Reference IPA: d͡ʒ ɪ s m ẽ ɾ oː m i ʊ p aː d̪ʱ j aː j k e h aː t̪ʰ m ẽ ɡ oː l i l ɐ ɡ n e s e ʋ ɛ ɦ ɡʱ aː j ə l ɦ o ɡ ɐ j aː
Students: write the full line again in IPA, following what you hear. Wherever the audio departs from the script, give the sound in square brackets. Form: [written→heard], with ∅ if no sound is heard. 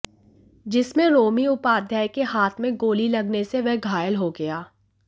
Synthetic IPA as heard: d͡ʒ ɪ s m ẽ ɾ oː m i ʊ p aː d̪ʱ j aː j k e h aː t̪ʰ m ẽ ɡ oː l i l ɐ ɡ n e s e ʋ ɛ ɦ ɡʱ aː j ə l ɦ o ɡ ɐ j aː